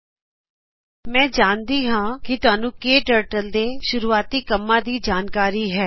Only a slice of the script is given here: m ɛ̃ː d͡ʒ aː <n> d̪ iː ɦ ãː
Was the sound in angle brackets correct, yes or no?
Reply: yes